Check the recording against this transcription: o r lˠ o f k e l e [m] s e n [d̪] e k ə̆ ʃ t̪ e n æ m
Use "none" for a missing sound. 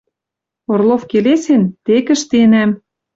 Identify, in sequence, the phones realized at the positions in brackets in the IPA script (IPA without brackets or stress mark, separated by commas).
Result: none, t̪